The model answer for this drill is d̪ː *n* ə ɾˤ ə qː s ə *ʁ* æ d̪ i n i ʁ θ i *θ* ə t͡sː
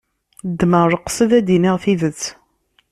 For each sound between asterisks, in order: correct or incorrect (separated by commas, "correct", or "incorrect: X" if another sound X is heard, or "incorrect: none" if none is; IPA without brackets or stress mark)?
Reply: incorrect: m, incorrect: ð, incorrect: ð